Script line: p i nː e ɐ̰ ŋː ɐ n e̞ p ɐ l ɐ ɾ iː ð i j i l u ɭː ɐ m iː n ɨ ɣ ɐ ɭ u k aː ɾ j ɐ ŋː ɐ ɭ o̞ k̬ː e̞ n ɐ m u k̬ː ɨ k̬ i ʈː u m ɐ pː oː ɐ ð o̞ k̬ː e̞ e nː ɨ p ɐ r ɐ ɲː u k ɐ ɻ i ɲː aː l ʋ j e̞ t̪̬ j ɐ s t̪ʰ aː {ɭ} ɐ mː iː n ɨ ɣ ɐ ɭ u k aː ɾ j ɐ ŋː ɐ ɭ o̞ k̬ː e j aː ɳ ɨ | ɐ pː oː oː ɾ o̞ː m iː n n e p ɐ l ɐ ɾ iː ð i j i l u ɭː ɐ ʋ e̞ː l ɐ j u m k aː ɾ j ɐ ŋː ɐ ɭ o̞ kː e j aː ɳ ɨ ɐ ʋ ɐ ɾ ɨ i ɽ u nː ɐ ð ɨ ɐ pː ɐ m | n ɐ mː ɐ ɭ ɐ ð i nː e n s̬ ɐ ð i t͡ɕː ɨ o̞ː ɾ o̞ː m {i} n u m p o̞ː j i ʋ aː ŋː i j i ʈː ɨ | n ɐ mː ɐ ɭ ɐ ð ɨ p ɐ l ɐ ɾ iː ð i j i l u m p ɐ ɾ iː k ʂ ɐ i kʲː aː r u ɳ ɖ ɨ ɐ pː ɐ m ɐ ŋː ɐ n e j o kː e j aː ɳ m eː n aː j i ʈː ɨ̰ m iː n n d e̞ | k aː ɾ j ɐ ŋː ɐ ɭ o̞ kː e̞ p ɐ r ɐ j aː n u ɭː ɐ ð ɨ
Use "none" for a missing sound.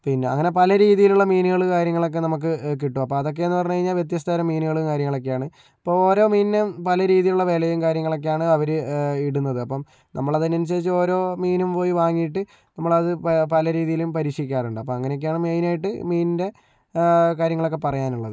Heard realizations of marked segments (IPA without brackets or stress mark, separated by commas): ɾ, iː